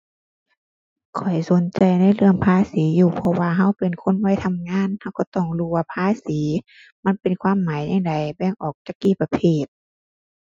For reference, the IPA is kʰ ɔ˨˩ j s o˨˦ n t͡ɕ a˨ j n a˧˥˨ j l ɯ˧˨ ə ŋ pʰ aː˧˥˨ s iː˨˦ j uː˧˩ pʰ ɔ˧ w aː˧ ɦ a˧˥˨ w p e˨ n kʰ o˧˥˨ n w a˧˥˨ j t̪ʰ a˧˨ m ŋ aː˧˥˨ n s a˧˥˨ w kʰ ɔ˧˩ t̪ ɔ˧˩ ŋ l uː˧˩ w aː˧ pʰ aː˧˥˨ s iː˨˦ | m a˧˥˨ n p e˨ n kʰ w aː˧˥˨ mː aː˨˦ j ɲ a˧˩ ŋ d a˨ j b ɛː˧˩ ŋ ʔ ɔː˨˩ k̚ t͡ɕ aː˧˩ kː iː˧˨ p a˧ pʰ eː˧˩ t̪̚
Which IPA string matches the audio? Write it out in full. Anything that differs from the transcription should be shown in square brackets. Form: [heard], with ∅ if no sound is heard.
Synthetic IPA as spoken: kʰ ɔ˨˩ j s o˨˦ n t͡ɕ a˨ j n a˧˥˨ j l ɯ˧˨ ə ŋ pʰ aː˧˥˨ s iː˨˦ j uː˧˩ pʰ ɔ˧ w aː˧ ɦ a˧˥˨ w p e˨ n kʰ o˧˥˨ n w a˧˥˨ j t̪ʰ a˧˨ m ŋ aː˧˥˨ n [h] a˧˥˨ w [k] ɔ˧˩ t̪ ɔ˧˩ ŋ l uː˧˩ w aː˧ pʰ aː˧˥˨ s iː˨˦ | m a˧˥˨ n p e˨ n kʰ w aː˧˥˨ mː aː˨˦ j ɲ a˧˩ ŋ d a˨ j b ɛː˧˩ ŋ ʔ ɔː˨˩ k̚ t͡ɕ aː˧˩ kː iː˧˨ p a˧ pʰ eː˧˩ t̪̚